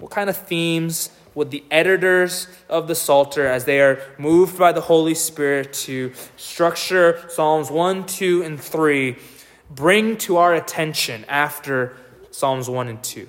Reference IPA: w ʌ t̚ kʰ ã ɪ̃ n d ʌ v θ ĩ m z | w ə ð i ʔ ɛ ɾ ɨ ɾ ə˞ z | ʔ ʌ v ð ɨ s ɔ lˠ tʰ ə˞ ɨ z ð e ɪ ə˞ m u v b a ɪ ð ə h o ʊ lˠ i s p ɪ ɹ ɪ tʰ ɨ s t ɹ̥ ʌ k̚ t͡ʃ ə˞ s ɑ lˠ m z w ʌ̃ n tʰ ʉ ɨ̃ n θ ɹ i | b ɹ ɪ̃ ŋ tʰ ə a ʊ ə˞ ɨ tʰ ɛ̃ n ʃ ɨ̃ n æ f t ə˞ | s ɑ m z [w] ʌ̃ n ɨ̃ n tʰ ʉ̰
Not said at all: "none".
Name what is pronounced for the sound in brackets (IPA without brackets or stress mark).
w